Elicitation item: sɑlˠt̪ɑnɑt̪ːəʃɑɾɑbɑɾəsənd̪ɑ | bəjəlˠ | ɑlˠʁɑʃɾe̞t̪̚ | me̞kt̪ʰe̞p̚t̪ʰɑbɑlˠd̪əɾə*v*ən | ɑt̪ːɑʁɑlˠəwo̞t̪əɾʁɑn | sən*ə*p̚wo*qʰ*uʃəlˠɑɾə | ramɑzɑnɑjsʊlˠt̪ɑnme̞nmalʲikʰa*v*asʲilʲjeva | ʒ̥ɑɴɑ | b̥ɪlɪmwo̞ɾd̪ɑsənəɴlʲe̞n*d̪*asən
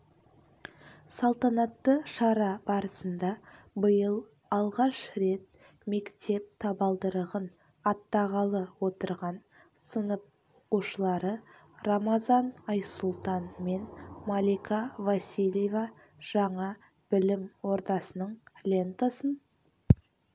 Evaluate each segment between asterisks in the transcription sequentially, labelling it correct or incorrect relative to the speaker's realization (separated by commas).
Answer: incorrect, correct, incorrect, correct, incorrect